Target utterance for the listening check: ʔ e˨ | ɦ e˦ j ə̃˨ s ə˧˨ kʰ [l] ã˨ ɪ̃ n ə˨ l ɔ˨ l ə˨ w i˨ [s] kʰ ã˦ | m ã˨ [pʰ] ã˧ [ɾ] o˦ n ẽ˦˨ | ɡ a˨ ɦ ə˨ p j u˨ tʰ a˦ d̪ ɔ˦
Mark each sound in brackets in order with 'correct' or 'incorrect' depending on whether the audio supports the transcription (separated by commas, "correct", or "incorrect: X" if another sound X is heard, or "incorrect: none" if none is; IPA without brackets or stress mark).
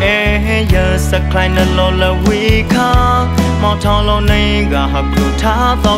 correct, incorrect: none, incorrect: tʰ, incorrect: l